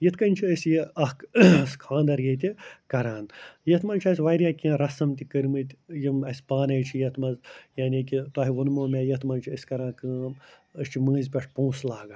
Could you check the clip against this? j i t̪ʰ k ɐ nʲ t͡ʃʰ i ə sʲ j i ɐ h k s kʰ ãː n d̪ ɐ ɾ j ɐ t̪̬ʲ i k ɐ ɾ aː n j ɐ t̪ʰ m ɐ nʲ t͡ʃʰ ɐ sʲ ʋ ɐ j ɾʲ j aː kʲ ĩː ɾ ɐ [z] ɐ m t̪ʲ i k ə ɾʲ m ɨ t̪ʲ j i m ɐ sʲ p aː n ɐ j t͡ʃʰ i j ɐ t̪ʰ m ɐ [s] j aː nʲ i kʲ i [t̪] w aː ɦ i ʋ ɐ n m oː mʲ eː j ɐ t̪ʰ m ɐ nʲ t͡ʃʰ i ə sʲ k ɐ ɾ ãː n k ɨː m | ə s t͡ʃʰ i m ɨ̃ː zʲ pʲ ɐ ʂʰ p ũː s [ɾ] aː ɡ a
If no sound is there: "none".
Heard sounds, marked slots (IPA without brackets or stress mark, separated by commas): s, z, t̪, l